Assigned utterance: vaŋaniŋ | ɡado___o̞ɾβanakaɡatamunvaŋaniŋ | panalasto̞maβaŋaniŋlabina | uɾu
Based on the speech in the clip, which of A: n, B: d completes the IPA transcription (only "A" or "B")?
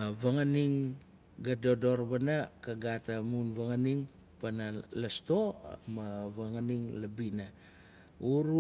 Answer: B